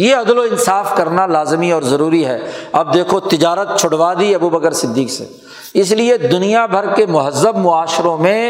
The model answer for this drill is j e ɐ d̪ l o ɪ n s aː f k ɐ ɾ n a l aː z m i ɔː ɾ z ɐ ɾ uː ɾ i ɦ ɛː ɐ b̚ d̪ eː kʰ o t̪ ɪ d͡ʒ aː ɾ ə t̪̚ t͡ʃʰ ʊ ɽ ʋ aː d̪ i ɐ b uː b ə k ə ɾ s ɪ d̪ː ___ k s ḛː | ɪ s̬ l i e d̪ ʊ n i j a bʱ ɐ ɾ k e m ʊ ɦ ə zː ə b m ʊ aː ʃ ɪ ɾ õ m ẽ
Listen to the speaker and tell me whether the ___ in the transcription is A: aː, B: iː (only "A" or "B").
B